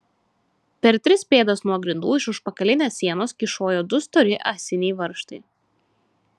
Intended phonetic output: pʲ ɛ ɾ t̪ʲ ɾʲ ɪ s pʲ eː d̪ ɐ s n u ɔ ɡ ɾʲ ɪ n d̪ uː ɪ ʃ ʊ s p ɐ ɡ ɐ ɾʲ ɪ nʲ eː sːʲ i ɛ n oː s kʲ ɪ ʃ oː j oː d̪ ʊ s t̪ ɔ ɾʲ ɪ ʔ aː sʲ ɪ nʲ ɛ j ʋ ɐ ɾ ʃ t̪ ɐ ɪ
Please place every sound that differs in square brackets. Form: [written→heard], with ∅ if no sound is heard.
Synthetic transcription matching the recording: pʲ ɛ ɾ t̪ʲ ɾʲ ɪ s pʲ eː d̪ ɐ s n u ɔ ɡ ɾʲ ɪ n d̪ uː ɪ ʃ ʊ [s→ʃ] p ɐ [ɡ→k] ɐ [ɾʲ→lʲ] ɪ nʲ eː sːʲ i ɛ n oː s kʲ ɪ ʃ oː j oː d̪ ʊ s t̪ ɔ ɾʲ ɪ ʔ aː sʲ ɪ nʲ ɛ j ʋ ɐ ɾ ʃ t̪ ɐ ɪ